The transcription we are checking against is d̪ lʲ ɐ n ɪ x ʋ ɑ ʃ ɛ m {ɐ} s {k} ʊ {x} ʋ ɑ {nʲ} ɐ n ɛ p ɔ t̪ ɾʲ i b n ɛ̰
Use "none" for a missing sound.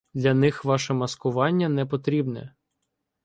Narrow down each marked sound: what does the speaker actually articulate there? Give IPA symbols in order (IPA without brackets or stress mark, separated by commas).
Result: ɐ, k, none, nʲː